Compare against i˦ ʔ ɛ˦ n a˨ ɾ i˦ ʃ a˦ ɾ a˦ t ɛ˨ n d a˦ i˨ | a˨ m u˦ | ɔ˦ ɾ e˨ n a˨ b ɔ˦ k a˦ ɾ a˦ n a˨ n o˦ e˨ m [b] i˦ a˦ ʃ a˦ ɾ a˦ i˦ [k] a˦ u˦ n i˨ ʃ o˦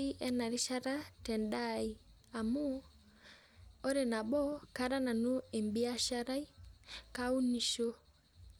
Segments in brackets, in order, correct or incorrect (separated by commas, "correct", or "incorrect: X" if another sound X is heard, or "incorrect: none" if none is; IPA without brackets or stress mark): correct, correct